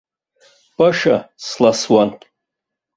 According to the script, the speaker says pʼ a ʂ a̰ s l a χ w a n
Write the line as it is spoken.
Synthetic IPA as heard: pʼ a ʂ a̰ s l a s w a n